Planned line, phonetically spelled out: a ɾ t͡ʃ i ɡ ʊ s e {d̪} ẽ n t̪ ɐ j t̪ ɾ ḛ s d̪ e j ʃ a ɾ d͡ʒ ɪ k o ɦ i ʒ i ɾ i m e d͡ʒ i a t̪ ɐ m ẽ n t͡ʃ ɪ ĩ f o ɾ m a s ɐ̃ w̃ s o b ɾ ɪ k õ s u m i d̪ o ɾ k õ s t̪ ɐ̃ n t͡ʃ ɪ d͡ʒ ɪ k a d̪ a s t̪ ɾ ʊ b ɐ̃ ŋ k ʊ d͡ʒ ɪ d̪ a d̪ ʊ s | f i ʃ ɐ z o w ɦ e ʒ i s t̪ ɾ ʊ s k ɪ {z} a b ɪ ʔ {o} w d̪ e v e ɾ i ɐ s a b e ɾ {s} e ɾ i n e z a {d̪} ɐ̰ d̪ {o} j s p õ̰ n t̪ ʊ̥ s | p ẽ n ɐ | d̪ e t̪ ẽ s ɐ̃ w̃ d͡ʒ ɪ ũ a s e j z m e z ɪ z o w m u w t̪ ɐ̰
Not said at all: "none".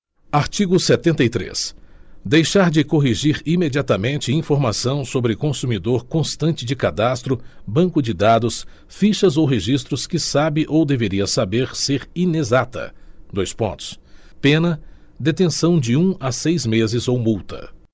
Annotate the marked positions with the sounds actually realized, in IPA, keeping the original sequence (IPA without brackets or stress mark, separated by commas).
t̪, s, o, s, t̪, o